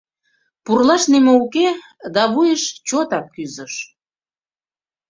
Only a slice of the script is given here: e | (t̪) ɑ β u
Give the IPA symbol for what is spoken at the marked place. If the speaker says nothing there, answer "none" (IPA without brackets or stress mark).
d̪